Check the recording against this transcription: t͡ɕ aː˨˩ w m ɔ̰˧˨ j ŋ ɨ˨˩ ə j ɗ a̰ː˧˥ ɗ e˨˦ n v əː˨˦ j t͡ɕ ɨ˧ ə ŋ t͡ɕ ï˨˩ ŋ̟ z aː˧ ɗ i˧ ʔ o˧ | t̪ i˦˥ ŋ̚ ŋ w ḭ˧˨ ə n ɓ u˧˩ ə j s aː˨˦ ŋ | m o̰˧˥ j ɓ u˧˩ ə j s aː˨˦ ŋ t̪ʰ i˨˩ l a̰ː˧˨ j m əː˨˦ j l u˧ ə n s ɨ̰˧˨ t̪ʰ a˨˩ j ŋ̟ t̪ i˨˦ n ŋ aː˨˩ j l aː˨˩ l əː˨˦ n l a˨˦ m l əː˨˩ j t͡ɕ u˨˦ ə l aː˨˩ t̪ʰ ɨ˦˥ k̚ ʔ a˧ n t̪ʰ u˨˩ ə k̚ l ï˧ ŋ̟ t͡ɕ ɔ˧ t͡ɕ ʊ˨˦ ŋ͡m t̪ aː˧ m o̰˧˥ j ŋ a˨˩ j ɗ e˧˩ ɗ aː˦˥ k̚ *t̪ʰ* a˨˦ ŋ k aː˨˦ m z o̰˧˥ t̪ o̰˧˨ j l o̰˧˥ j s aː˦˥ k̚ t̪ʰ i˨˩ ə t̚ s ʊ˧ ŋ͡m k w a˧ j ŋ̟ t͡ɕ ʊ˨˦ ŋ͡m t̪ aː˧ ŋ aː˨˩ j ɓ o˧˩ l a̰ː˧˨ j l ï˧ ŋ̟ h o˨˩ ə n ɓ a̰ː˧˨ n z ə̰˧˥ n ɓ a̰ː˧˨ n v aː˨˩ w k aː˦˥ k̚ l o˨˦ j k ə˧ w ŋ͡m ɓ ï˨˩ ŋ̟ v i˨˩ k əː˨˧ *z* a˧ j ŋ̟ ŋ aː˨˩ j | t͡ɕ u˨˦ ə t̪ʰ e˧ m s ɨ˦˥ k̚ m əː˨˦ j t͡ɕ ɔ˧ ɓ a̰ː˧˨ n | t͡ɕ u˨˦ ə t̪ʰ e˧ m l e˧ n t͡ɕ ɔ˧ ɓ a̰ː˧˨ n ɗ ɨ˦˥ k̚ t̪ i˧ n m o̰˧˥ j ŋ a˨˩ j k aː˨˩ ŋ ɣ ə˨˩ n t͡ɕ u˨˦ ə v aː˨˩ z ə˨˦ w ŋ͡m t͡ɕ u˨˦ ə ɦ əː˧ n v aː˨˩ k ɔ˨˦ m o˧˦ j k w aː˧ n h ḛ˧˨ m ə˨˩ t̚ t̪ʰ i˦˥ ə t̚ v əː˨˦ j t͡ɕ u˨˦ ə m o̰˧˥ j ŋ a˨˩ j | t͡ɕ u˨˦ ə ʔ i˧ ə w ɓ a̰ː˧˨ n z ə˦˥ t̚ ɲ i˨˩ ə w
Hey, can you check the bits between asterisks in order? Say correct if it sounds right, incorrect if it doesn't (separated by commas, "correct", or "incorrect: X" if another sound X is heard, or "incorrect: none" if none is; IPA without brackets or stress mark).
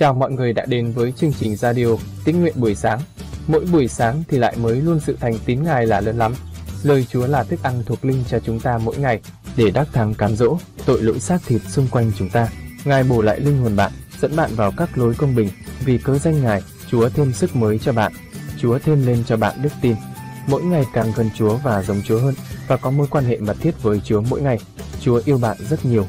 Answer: correct, correct